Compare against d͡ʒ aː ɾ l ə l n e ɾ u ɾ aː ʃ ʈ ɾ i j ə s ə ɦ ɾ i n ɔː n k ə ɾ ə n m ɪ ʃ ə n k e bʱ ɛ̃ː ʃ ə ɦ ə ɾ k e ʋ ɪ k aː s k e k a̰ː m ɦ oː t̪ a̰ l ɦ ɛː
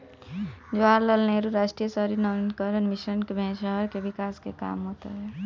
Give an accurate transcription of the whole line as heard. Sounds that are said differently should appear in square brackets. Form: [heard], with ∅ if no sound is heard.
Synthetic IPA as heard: d͡ʒ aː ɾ l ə l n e ɾ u ɾ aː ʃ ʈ ɾ i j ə s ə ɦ ɾ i n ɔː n k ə ɾ ə n m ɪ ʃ ə n k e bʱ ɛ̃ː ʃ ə ɦ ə ɾ k e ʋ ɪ k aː s k e k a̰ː m ɦ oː t̪ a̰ [∅] ɦ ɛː